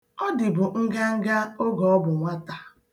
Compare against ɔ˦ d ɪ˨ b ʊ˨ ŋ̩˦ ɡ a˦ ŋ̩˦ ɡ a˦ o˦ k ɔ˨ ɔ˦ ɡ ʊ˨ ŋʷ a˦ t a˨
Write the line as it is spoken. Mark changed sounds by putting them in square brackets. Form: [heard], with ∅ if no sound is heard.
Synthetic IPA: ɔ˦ d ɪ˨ b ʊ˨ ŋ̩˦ ɡ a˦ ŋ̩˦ ɡ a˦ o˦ [ɡ] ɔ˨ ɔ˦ [b] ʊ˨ ŋʷ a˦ t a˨

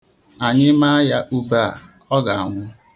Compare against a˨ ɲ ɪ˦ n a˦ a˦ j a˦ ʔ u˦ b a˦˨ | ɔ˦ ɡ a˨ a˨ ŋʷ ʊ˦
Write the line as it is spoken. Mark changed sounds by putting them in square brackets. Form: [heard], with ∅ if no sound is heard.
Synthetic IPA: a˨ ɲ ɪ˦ [m] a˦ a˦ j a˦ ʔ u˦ b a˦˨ | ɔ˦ ɡ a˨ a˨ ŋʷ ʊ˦

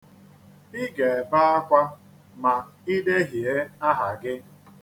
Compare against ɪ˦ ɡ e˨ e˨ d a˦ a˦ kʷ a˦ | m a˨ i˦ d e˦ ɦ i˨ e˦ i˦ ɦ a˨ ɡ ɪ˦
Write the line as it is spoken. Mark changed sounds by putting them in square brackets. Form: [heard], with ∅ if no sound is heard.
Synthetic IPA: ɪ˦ ɡ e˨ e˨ [b] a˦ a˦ kʷ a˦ | m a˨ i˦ d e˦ ɦ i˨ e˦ [a˦] ɦ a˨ ɡ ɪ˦

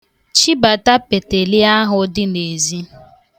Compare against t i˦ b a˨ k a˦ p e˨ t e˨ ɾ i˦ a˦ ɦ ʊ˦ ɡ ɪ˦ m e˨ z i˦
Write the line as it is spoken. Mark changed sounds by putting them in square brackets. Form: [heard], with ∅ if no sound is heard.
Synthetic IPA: [t͡ʃ] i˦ b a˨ [t] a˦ p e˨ t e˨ [l] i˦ a˦ ɦ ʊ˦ [d] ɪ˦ [n] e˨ z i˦

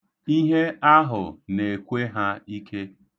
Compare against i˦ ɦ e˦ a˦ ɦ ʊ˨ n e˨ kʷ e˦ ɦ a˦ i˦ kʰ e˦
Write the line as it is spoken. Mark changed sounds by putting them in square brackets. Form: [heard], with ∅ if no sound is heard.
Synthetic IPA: i˦ ɦ e˦ a˦ ɦ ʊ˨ n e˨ kʷ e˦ ɦ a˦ i˦ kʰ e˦

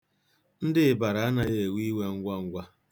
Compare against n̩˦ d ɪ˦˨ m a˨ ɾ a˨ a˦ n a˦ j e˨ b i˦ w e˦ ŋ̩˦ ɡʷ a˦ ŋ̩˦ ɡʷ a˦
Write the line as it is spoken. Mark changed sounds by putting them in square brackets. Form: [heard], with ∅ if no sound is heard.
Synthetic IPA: n̩˦ d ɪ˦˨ [b] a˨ ɾ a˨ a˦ n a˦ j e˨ [w] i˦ w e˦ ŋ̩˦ ɡʷ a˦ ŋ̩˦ ɡʷ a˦

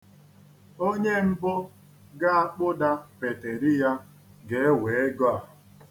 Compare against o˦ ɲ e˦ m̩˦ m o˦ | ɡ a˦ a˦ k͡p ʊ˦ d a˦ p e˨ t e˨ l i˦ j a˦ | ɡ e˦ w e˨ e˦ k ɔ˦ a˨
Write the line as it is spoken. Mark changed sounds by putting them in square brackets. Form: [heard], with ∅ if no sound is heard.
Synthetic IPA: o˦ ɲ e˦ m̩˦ [b] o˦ | ɡ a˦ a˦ k͡p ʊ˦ d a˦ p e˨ t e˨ [ɾ] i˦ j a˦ | ɡ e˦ w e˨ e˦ [ɡ] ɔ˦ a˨

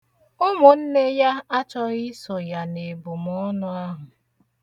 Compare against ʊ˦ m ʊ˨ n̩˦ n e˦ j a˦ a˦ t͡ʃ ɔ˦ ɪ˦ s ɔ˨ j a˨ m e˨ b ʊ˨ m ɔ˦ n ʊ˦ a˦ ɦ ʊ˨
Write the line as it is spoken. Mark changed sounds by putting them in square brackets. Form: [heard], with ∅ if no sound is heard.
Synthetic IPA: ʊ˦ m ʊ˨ n̩˦ n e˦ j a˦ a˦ t͡ʃ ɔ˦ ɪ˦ s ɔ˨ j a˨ [n] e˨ b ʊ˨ m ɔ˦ n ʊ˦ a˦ ɦ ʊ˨

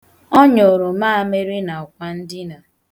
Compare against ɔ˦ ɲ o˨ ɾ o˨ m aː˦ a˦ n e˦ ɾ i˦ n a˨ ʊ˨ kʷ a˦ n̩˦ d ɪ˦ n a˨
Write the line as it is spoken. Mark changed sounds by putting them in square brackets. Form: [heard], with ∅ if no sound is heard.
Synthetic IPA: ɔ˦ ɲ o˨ ɾ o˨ m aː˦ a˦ [m] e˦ ɾ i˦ n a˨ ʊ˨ kʷ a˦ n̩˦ d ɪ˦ n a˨

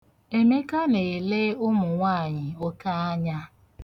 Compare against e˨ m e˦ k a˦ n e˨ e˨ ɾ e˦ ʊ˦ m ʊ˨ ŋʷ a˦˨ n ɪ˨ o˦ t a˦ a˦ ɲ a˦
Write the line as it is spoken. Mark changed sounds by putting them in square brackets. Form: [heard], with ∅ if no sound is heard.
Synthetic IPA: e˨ m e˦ k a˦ n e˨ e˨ [l] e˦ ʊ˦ m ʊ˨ ŋʷ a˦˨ [ɲ] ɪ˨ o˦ [k] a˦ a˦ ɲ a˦

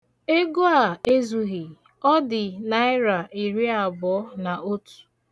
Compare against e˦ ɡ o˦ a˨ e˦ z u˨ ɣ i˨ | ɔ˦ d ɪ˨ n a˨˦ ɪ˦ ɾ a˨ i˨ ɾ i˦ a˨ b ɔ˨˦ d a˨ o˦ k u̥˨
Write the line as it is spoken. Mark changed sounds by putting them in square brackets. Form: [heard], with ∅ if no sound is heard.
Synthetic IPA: e˦ ɡ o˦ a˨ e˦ z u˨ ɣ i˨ | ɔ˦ d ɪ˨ n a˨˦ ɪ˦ ɾ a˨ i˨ ɾ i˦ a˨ b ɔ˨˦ [n] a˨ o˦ [t] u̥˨

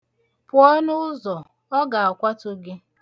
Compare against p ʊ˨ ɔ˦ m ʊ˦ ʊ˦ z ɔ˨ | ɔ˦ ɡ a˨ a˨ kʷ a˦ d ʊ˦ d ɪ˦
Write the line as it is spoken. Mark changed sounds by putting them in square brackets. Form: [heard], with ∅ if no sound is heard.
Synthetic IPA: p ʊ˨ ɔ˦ [n] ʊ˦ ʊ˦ z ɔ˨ | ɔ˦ ɡ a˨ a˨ kʷ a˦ [t] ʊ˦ [ɡ] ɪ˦

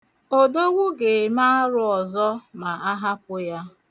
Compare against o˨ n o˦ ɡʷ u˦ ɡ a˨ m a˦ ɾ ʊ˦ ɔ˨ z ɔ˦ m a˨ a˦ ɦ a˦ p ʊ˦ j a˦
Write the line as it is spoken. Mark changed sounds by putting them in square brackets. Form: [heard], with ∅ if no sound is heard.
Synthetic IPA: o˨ [d] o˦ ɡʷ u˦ ɡ [e˨] m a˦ ɾ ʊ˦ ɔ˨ z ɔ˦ m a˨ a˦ ɦ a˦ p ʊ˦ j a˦

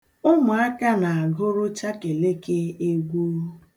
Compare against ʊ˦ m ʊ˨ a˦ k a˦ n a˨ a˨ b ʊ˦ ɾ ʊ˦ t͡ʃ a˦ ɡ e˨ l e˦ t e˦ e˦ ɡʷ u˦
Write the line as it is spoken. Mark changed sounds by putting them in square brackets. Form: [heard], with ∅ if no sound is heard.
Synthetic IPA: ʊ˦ m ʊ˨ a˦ k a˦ n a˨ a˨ [ɡ] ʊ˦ ɾ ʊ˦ t͡ʃ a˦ [k] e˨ l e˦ [k] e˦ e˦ ɡʷ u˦

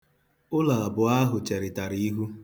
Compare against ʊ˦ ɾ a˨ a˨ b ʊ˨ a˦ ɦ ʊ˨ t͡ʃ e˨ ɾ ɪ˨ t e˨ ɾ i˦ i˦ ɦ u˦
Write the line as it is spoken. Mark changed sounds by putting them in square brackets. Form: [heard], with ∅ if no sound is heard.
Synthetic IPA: ʊ˦ [l] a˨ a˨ b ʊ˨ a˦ ɦ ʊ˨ t͡ʃ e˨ ɾ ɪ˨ t [a˨] ɾ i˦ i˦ ɦ u˦

